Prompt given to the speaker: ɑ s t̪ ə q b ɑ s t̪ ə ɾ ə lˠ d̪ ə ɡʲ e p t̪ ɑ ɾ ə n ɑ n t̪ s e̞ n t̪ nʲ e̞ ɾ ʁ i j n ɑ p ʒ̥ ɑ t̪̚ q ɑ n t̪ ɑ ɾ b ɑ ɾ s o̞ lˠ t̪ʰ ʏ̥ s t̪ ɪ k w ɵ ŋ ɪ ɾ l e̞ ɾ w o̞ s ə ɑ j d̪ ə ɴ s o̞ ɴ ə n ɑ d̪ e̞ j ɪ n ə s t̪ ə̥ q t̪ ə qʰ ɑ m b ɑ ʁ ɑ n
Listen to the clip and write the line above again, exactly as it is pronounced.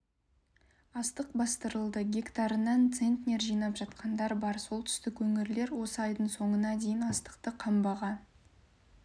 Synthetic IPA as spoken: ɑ s t̪ ə q b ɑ s t̪ ə ɾ ə lˠ d̪ ə ɡʲ e k t̪ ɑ ɾ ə n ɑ n t̪ s e̞ n t̪ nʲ e̞ ɾ ʒ i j n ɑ p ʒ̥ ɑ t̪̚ q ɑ n d̪ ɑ ɾ b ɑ ɾ s o̞ lˠ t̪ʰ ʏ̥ s t̪ ɪ k w ɵ ŋ ɪ ɾ l e̞ ɾ w o̞ s ə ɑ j d̪ ə ɴ s o̞ ɴ ə n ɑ d̪ e̞ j ɪ n ɑ s t̪ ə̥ q t̪ ə qʰ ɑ m b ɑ ʁ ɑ n